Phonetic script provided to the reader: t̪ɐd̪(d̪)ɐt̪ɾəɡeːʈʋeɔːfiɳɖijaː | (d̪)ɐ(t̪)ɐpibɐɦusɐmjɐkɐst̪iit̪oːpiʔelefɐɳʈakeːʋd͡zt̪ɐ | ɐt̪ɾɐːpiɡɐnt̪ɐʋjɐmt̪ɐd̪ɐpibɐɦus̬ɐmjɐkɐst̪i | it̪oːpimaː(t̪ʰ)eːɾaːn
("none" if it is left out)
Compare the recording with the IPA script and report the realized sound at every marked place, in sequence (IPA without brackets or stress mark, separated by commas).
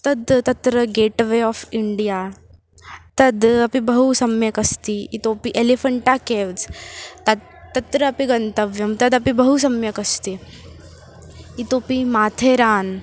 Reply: t̪, t̪, d̪, t̪ʰ